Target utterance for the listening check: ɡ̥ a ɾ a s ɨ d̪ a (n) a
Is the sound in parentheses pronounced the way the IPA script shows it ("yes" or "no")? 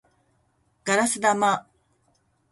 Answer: no